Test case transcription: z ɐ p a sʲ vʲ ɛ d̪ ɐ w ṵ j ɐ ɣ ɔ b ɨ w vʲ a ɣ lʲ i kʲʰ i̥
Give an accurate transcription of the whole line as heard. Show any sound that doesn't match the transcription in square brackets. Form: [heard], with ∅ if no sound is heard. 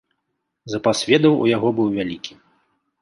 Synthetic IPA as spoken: z ɐ p a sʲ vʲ ɛ d̪ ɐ w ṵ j [a] ɣ ɔ b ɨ w vʲ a [∅] lʲ i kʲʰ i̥

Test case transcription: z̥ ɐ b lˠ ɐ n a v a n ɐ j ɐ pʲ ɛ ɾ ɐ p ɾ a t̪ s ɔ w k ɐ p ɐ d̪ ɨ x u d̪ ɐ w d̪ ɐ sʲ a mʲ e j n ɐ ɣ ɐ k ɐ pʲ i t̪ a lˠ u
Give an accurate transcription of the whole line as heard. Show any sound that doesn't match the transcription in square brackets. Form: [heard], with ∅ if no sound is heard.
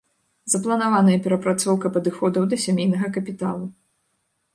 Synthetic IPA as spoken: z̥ ɐ [p] lˠ ɐ n a v a n ɐ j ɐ pʲ ɛ ɾ ɐ p ɾ a t̪ s ɔ w k ɐ p ɐ d̪ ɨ x [ɔ] d̪ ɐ w d̪ ɐ sʲ a mʲ e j n ɐ ɣ ɐ k ɐ pʲ i t̪ a lˠ u

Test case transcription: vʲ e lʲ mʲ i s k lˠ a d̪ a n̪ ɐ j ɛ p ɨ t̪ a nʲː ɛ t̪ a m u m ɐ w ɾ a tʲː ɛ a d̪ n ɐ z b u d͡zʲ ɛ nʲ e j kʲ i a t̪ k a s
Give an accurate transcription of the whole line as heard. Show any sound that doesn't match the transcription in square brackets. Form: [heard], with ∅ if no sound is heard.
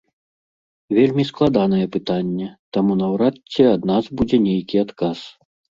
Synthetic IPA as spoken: vʲ e lʲ mʲ i s k lˠ a d̪ a n̪ ɐ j ɛ p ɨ t̪ a nʲː ɛ t̪ a m u [n] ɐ w ɾ a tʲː ɛ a d̪ n [a] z b u d͡zʲ ɛ nʲ e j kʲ i a t̪ k a s

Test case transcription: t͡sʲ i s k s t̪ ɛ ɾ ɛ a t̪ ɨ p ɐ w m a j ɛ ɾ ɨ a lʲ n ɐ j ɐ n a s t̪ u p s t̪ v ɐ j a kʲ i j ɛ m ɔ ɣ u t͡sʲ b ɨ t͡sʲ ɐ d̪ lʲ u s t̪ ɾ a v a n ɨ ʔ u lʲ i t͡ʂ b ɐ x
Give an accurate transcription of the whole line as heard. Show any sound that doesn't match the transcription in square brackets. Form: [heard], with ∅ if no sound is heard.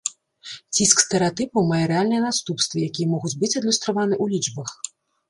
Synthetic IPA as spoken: t͡sʲ i s k s t̪ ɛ ɾ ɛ a t̪ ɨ p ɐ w m a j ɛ ɾ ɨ a lʲ n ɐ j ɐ n a s t̪ u p s t̪ v ɐ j a kʲ i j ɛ m ɔ ɣ u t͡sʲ b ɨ t͡sʲ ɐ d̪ lʲ u s t̪ ɾ a v a n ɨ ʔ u lʲ i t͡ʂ b ɐ x

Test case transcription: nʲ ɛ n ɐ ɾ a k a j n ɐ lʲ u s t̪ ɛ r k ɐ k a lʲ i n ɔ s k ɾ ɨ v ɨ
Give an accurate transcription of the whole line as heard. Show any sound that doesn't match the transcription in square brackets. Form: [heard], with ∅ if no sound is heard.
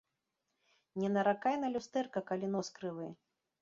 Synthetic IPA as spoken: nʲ ɛ n ɐ ɾ a k a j n ɐ lʲ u s t̪ ɛ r k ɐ k a lʲ i n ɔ s k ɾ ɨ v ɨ

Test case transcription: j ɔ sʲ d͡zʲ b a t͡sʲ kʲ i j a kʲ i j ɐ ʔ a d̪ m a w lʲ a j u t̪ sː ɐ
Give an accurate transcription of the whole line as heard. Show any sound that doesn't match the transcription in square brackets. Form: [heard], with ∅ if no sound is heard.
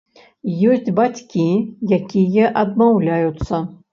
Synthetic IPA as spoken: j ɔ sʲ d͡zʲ b a t͡sʲ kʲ i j a kʲ i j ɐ ʔ [ɐ] d̪ m a w lʲ a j u t̪ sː ɐ

